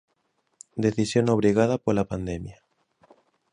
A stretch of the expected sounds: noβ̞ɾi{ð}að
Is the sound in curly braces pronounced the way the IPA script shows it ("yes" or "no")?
no